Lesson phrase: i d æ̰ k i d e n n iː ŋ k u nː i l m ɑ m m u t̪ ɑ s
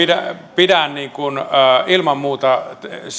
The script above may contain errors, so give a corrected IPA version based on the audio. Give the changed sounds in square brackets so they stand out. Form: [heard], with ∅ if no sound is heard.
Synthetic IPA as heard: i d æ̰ [p] i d [æ] n n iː ŋ k u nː i l m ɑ m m [uː] t̪ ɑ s